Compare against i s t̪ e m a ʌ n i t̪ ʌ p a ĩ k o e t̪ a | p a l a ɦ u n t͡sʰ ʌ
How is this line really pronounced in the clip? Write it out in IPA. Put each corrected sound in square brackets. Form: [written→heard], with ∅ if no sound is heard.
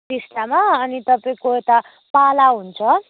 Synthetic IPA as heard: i s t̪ [e→a] m a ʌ n i t̪ ʌ p a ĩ k o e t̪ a | p a l a ɦ u n t͡sʰ ʌ